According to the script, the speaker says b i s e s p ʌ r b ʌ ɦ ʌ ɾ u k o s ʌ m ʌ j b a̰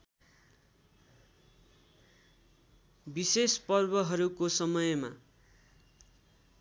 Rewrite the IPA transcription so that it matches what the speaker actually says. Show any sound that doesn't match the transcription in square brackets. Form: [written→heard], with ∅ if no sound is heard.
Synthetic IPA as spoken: b i s e s p ʌ r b ʌ ɦ ʌ ɾ u k o s ʌ m ʌ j [b→m] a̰